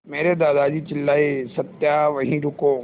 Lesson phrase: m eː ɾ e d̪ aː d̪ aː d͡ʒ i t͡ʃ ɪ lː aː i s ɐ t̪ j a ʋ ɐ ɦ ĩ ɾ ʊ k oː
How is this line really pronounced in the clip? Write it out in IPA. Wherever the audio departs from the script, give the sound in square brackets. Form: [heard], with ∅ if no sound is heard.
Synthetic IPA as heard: m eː ɾ e d̪ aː d̪ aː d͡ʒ i t͡ʃ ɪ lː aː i s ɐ t̪ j a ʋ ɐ ɦ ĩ ɾ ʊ k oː